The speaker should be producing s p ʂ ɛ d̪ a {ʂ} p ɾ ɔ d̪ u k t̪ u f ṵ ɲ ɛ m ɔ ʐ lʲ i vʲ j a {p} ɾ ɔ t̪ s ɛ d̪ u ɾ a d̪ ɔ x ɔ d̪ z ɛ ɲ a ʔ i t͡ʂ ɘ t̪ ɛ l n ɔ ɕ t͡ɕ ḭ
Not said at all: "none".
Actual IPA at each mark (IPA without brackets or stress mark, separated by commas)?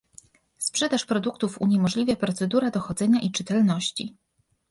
ʂ, p